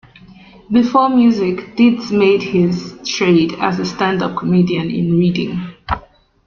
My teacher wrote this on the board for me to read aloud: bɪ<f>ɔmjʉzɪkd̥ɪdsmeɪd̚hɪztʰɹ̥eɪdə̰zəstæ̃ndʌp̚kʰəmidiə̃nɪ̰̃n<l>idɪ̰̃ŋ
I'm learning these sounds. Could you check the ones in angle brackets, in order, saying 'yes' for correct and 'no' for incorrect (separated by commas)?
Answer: yes, no